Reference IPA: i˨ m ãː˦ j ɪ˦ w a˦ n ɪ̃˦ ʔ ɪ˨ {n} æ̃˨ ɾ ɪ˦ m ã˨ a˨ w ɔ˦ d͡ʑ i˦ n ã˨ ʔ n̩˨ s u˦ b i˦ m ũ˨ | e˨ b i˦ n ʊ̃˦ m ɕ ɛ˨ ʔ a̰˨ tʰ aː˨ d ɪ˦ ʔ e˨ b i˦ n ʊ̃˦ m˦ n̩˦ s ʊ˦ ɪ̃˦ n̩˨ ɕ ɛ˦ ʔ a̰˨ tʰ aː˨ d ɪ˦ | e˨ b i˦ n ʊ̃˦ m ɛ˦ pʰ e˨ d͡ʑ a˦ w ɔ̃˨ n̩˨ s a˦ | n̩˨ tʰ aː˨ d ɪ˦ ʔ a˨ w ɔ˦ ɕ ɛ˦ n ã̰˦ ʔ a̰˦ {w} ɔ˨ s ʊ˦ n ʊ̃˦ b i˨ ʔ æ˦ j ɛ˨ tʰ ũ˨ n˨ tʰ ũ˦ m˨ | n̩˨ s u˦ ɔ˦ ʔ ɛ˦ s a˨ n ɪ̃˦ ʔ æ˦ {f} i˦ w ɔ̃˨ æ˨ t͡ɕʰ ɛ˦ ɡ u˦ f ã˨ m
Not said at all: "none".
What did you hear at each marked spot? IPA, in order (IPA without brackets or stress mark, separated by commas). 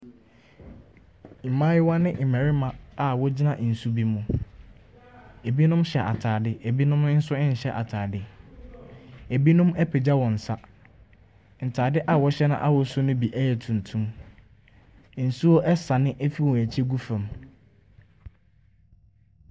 m, w, f